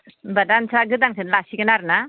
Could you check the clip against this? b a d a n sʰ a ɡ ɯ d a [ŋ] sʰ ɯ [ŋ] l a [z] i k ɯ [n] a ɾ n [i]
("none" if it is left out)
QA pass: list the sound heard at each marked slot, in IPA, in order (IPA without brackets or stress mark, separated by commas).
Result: ŋ, n, s, n, a